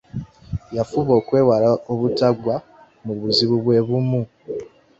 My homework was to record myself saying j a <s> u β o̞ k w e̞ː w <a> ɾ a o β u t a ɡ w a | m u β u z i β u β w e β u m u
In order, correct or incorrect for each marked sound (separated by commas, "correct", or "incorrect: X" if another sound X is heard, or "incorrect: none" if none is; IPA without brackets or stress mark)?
incorrect: f, correct